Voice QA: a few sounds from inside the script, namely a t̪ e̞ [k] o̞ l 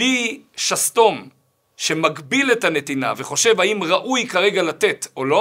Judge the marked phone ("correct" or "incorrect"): incorrect